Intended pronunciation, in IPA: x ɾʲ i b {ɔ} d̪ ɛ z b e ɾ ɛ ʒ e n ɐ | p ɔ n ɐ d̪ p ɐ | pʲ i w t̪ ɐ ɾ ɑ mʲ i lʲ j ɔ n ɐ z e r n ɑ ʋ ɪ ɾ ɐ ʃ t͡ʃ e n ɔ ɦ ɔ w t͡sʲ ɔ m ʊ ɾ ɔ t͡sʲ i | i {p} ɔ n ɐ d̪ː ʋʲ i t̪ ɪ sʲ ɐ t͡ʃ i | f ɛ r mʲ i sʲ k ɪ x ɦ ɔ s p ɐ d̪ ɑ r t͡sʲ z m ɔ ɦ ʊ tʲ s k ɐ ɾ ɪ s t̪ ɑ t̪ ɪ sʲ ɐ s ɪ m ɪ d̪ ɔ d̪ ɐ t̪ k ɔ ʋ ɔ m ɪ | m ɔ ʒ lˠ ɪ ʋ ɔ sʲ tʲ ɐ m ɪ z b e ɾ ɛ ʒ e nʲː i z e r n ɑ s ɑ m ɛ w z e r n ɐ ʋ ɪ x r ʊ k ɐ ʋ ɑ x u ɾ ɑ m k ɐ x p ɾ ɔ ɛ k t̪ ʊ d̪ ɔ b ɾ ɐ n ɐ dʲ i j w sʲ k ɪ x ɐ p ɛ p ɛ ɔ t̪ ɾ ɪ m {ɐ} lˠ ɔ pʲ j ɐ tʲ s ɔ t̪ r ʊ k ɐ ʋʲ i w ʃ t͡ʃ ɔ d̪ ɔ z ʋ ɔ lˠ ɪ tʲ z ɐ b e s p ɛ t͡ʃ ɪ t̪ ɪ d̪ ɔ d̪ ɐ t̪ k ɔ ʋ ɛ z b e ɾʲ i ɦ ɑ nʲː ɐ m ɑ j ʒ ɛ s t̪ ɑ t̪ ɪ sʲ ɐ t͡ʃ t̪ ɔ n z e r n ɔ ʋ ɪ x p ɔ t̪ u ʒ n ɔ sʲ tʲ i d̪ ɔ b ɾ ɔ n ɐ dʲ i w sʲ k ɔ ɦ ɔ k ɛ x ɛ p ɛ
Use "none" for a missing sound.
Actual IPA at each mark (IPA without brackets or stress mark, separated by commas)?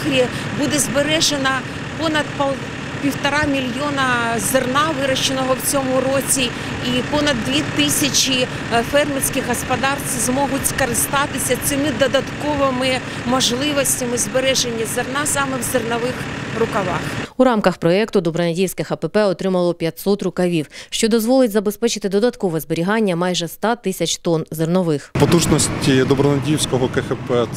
u, p, ɐ